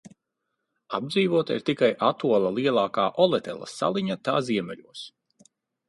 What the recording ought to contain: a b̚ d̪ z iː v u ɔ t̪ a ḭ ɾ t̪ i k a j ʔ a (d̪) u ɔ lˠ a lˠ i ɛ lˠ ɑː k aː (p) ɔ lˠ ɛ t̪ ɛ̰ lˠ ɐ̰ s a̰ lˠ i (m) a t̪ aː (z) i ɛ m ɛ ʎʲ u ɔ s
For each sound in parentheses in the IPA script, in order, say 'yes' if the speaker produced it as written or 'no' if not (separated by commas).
no, no, no, yes